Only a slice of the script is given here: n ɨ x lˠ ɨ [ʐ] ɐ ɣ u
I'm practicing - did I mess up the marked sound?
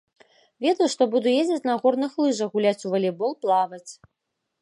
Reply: no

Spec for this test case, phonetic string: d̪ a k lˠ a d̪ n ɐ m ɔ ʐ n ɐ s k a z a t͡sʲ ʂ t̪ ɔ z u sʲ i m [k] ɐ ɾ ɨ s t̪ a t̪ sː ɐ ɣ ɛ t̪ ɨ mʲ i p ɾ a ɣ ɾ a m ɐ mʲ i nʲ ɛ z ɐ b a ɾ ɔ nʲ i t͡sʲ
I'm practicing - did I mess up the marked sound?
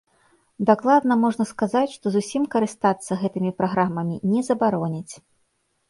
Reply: no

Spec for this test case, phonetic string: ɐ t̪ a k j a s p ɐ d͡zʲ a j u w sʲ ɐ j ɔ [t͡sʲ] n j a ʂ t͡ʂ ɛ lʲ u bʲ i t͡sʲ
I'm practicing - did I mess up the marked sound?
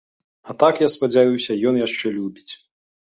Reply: yes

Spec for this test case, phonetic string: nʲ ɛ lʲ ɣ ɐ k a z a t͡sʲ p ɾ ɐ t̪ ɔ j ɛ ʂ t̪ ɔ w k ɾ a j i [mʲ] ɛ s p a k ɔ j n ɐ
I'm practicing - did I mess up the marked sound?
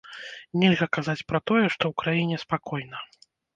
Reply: yes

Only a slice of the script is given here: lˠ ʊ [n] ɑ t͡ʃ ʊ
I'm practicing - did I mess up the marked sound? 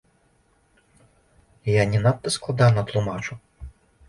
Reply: yes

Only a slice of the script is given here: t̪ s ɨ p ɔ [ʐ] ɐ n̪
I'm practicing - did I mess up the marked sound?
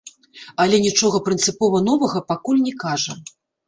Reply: yes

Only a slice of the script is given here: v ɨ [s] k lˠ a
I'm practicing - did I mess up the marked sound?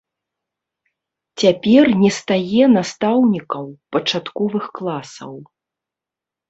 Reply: yes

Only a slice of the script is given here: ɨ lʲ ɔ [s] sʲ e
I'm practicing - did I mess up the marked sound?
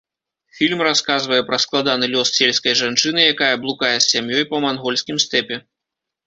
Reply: no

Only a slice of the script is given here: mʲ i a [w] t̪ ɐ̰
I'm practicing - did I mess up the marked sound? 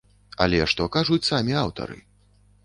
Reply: no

